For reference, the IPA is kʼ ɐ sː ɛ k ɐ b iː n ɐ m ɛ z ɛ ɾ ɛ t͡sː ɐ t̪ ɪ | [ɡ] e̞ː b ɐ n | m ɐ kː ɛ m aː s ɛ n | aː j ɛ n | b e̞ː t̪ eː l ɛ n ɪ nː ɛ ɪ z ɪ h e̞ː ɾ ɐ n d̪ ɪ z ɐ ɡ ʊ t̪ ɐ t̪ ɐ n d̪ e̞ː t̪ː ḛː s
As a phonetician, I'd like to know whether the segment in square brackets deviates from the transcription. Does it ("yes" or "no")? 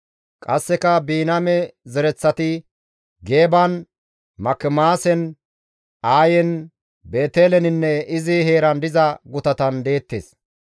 no